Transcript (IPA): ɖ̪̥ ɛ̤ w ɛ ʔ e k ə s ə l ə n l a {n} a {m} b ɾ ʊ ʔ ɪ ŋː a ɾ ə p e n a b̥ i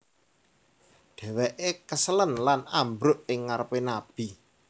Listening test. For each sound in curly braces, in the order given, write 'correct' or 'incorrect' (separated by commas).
correct, correct